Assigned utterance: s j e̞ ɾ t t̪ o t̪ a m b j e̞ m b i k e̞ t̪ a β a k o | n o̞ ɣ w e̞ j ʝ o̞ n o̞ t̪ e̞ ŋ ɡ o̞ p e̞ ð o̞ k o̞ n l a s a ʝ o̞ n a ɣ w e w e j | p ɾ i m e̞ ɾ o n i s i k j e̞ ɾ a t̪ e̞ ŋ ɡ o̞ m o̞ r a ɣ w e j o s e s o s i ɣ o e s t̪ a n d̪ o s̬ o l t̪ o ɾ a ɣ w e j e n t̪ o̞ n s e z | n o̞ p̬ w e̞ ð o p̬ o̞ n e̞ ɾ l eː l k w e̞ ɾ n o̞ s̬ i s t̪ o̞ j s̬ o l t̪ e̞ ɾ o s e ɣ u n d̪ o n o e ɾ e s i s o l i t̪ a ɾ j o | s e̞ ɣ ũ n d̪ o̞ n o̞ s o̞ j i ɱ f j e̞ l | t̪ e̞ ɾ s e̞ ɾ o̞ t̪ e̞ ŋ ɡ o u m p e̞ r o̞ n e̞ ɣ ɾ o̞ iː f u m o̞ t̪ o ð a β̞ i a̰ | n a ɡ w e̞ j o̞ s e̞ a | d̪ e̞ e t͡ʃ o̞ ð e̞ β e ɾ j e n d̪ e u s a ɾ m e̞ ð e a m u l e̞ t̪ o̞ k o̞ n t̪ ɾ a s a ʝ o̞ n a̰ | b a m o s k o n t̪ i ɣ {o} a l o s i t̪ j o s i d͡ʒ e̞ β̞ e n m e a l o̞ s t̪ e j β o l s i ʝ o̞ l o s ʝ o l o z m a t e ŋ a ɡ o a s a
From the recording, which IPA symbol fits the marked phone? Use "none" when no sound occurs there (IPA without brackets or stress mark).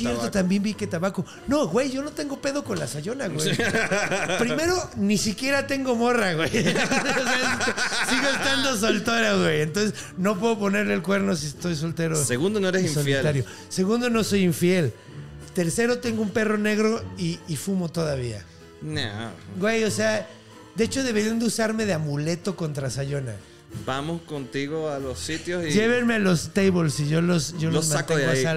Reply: o